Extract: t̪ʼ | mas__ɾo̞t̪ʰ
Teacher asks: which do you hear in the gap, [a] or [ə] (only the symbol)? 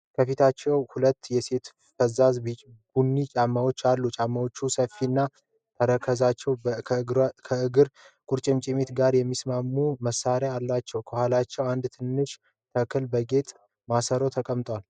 ə